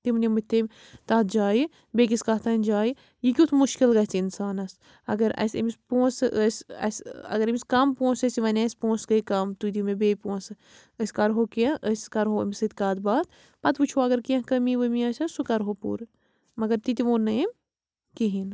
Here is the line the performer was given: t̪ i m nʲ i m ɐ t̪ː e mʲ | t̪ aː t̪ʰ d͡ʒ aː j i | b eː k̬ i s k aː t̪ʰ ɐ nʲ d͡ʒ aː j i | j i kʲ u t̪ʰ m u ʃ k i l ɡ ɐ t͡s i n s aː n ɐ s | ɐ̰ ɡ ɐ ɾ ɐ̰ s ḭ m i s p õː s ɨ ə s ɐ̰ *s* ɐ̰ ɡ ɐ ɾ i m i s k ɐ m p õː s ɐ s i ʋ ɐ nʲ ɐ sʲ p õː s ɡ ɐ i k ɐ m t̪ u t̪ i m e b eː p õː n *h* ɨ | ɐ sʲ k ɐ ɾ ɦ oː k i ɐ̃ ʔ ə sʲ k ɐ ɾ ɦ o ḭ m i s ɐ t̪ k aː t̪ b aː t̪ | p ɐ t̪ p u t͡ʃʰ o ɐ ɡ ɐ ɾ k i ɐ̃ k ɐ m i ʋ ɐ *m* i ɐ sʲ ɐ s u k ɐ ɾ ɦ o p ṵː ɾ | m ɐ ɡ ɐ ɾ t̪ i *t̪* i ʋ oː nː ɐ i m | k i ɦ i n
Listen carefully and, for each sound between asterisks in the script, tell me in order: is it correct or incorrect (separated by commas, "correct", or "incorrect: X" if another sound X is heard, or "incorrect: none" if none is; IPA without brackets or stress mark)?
correct, incorrect: s, correct, correct